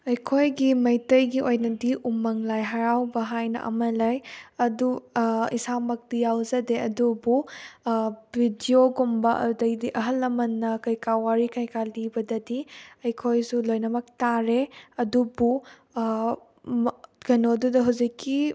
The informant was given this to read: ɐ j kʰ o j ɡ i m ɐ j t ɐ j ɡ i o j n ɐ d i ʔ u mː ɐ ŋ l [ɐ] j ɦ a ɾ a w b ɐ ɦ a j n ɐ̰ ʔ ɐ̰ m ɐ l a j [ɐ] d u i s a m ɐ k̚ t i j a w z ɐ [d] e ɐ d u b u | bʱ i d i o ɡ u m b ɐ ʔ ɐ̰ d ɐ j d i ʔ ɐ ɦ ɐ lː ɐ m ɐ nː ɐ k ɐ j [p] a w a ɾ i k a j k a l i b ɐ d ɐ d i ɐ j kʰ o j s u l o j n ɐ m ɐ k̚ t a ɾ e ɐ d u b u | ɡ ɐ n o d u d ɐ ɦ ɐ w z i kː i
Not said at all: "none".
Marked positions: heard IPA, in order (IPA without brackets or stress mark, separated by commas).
a, ɐ, d, k